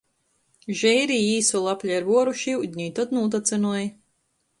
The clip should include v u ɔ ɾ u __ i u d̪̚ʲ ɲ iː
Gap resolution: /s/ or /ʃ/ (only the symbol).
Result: ʃ